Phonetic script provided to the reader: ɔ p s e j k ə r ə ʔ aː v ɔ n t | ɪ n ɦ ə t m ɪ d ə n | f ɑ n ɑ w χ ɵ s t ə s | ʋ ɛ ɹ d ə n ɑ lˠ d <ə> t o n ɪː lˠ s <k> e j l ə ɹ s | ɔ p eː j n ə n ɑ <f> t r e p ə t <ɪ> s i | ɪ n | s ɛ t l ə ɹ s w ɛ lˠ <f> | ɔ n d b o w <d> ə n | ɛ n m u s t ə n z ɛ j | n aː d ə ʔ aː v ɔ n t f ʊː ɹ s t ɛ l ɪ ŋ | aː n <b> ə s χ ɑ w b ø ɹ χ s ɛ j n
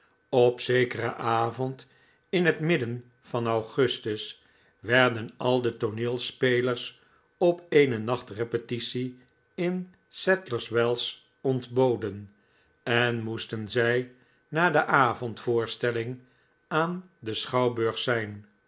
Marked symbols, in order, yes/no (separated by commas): yes, no, no, no, no, yes, no